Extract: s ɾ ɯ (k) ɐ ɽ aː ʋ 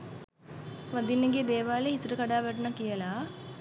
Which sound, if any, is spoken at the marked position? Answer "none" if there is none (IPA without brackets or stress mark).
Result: k